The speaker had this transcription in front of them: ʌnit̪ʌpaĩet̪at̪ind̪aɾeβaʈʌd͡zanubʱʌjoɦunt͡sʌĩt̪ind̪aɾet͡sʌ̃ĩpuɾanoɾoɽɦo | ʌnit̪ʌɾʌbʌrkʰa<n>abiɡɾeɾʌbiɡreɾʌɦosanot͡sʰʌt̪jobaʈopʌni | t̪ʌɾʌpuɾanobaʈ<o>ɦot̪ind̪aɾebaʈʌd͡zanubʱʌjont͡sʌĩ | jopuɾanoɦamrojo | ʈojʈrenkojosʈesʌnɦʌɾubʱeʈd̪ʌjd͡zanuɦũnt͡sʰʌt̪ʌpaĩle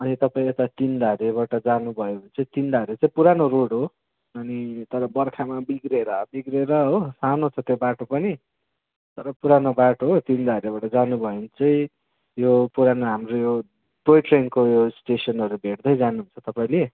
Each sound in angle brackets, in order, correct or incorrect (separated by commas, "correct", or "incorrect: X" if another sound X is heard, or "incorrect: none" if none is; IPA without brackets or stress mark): incorrect: m, correct